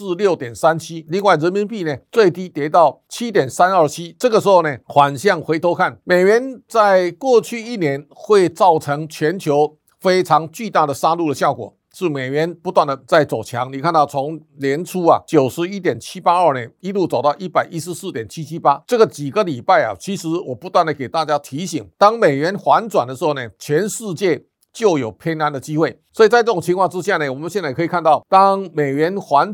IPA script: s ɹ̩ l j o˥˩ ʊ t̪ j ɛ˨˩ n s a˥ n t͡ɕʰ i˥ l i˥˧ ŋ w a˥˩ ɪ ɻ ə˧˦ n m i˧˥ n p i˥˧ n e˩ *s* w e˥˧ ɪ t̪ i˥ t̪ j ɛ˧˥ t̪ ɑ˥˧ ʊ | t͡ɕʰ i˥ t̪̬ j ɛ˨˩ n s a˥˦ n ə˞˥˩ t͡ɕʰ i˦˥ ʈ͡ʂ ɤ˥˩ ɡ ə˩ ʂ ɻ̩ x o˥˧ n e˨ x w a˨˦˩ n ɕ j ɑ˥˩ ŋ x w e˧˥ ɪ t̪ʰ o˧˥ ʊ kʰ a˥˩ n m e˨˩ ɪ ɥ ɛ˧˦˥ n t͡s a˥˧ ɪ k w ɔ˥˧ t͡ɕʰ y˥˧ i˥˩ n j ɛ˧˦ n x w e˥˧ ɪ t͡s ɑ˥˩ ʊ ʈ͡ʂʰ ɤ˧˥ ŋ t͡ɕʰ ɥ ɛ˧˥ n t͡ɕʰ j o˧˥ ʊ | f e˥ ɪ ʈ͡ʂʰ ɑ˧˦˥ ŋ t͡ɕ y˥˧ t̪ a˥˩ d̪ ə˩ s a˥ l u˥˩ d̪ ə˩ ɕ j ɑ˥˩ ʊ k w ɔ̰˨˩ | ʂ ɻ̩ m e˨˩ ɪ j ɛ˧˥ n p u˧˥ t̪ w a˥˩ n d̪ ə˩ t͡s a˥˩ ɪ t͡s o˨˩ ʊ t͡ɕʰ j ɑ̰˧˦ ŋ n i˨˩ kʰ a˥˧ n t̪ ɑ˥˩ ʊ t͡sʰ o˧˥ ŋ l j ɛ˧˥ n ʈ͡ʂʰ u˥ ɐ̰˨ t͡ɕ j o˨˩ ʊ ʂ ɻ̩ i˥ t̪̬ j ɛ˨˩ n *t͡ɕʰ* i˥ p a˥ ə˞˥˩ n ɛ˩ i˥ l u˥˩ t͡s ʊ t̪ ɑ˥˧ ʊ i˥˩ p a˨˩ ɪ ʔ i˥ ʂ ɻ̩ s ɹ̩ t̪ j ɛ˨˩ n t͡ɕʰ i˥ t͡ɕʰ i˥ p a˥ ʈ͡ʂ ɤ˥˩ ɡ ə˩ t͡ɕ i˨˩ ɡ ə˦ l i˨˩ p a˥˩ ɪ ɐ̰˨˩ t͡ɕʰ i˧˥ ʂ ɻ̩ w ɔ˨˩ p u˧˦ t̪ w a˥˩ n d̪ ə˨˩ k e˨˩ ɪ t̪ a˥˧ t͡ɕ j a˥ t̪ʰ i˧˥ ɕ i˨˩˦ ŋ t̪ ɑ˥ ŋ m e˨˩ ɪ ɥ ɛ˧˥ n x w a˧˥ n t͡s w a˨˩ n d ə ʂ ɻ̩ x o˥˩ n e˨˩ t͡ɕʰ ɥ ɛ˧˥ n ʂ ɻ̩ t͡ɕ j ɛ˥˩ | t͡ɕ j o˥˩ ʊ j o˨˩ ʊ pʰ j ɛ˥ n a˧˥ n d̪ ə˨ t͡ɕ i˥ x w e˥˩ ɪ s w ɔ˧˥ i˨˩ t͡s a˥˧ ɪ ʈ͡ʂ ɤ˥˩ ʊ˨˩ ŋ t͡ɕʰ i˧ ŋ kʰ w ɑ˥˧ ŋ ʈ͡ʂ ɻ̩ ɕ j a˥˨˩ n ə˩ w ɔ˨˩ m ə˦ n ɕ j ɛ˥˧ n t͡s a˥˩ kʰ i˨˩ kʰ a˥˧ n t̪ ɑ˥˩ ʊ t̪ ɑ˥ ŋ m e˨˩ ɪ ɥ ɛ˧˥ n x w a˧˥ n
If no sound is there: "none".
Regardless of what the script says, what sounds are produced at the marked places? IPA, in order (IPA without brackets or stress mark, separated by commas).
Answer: t͡s, t͡ɕʰ